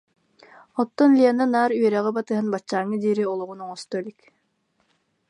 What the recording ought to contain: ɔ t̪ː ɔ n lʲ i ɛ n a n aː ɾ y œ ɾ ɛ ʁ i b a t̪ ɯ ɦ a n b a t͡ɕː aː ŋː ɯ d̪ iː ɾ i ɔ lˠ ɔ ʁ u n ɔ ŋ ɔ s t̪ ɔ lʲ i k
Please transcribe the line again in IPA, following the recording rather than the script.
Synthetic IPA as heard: ɔ t̪ː ɔ n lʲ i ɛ n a n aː ɾ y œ ɾ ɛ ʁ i b a t̪ ɯ ɦ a n b a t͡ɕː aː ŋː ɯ d̪ iː ɾ i ɔ lˠ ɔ ʁ u n ɔ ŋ ɔ s t̪ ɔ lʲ i k